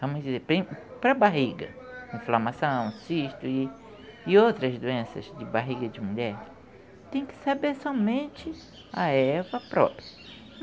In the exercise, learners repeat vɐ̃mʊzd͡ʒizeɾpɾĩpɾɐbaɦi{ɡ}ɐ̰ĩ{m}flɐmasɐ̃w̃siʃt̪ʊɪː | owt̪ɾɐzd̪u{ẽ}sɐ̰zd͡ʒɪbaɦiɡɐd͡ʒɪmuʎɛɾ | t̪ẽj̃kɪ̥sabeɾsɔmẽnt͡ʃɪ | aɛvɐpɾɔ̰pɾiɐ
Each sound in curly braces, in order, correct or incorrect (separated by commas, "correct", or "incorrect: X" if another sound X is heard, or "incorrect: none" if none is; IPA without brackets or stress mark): correct, incorrect: none, correct